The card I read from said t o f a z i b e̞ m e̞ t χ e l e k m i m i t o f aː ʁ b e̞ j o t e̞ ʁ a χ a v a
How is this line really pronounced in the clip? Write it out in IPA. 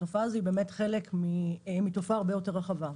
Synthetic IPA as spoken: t o f a z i b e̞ m e̞ t χ e l e k m i m i t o f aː ʁ b e̞ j o t e̞ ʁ a χ a v a